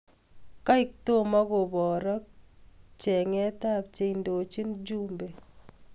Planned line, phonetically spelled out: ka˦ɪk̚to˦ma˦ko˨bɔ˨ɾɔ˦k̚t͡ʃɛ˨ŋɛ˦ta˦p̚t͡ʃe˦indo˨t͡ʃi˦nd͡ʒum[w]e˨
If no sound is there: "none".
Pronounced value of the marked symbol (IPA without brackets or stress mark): b